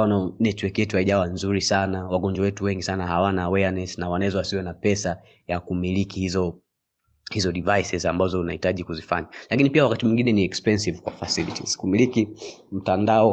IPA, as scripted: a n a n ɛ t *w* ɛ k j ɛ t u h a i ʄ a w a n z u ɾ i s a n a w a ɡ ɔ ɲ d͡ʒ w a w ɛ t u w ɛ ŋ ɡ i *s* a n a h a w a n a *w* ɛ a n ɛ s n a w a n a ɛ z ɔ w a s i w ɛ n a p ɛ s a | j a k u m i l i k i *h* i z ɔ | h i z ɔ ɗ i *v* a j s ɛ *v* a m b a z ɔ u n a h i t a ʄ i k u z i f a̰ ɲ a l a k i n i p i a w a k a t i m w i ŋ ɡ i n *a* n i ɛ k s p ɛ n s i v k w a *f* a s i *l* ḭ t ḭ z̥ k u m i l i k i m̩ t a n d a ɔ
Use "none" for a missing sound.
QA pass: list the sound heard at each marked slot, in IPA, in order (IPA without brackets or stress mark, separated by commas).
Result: w, s, w, h, v, z, ɛ, f, l